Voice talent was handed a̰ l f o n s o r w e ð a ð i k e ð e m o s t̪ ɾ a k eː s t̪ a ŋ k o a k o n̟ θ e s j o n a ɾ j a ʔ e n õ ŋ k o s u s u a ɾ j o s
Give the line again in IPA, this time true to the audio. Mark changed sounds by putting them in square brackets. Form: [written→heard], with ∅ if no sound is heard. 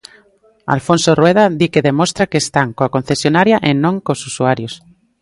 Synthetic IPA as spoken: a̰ l f o n s o r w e ð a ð i k e ð e m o s t̪ ɾ a k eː s t̪ a ŋ k o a k o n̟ θ e s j o n a ɾ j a ʔ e n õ ŋ k o s u s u a ɾ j o s